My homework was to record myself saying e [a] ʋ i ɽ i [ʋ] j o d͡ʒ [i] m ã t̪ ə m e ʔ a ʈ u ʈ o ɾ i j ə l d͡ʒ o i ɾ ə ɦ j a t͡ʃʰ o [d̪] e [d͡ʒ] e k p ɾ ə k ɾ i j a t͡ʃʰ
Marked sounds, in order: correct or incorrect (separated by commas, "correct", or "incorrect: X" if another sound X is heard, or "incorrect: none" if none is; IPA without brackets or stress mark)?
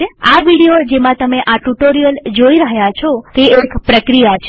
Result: correct, incorrect: none, incorrect: e, incorrect: t̪, incorrect: none